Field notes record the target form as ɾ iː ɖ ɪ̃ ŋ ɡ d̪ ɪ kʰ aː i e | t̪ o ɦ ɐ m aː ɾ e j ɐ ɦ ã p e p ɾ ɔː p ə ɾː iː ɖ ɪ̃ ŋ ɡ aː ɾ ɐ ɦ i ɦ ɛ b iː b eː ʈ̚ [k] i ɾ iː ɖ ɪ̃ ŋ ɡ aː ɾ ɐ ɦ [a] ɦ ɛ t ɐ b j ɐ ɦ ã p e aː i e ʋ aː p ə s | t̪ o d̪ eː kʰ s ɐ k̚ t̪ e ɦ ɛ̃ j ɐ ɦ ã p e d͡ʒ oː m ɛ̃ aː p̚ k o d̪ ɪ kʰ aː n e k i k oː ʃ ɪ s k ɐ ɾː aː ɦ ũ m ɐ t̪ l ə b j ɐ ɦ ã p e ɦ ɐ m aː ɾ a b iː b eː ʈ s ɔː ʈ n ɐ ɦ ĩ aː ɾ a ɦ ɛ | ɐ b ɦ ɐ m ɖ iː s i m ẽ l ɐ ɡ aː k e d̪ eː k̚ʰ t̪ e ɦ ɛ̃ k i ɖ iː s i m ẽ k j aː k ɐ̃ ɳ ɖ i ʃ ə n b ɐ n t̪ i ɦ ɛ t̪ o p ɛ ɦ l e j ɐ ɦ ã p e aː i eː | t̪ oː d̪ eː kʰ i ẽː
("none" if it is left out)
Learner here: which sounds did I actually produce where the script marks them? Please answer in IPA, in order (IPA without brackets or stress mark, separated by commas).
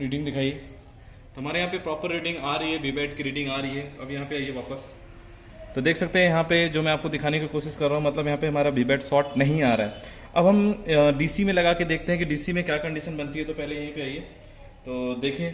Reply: k, i